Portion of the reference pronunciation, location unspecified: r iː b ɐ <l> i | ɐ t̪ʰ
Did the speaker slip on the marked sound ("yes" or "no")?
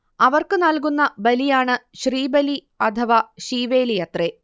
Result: no